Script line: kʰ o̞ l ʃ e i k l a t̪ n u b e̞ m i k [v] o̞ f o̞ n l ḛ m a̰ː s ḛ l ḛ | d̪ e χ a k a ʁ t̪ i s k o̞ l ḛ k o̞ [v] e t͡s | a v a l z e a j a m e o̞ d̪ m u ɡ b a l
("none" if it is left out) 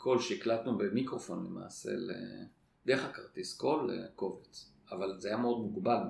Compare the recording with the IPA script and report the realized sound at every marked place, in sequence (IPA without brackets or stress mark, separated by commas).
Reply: ʁ, v